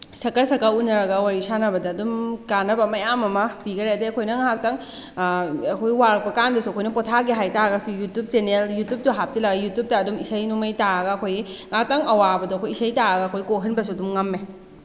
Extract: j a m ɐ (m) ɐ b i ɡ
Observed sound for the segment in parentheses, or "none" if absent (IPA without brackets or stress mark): m